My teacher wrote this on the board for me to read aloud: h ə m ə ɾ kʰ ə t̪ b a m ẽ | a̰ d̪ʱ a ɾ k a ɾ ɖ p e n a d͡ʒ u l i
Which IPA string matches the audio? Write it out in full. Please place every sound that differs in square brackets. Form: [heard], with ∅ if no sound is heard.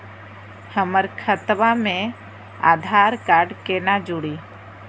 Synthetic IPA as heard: h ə m ə ɾ kʰ ə t̪ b a m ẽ | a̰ d̪ʱ a ɾ k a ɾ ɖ [k] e n a d͡ʒ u [ɽ] i